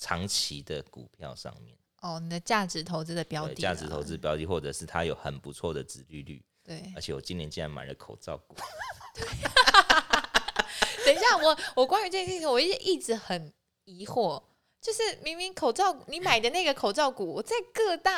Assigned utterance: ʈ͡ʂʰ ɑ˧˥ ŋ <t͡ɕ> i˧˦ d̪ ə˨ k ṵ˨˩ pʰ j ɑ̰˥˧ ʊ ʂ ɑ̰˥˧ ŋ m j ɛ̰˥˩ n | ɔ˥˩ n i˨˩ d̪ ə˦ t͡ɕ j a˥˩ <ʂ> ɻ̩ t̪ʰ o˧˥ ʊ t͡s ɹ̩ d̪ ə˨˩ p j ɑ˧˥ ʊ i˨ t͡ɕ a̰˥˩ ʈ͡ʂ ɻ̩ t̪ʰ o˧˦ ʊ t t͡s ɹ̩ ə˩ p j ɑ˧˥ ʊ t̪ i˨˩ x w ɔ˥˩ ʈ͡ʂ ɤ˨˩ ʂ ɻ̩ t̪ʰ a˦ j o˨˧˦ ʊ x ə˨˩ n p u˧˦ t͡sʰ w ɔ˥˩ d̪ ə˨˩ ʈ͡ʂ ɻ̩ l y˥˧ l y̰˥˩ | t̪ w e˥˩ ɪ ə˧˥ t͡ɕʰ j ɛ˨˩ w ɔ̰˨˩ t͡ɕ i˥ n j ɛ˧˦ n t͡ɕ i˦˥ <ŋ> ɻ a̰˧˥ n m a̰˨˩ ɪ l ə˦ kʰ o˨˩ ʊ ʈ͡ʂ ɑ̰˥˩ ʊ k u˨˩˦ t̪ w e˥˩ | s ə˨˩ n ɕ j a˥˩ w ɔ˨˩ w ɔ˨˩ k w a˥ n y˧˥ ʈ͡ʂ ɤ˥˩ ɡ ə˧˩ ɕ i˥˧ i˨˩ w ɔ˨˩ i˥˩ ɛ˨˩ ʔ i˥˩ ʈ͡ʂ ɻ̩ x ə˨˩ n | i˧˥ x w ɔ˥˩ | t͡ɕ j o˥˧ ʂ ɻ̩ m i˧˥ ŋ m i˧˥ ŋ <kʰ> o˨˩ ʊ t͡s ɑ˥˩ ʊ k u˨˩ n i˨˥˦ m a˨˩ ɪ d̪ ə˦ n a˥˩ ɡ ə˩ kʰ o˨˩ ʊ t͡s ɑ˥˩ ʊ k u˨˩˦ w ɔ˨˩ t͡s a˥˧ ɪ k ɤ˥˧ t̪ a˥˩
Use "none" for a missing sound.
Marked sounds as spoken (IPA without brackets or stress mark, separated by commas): t͡ɕʰ, ʈ͡ʂ, n, kʰ